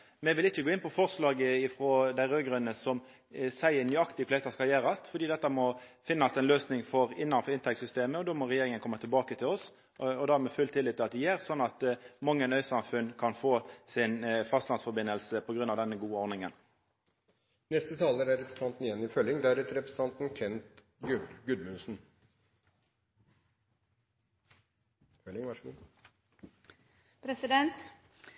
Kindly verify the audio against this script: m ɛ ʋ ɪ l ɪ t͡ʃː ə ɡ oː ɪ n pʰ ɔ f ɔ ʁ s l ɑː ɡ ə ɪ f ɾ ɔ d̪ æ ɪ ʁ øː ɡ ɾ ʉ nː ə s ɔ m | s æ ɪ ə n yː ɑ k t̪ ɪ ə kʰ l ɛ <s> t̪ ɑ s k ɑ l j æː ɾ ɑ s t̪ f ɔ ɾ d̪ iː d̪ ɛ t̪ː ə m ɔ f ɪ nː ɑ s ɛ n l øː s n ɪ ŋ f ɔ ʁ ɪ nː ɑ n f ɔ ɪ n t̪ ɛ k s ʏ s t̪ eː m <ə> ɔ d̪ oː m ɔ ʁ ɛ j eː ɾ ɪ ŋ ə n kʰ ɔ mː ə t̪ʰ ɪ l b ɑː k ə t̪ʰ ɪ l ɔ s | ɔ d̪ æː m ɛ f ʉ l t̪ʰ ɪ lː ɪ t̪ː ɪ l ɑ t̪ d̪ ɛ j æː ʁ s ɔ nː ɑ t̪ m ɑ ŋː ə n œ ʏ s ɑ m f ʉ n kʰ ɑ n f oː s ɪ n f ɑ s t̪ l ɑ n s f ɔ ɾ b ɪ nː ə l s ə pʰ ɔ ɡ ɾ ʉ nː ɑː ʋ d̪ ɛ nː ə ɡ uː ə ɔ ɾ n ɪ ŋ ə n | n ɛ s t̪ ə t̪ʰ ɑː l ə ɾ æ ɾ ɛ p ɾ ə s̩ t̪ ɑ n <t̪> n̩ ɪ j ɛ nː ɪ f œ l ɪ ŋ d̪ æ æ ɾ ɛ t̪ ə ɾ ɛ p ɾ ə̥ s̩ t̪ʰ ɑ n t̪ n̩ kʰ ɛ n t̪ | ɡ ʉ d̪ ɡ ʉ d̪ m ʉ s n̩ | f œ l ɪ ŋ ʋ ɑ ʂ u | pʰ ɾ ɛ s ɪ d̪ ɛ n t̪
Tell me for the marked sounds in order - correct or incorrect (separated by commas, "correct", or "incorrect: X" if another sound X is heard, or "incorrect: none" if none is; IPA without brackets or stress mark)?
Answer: correct, correct, correct